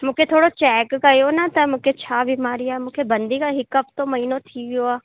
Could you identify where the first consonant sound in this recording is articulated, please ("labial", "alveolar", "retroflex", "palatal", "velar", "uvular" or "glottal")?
labial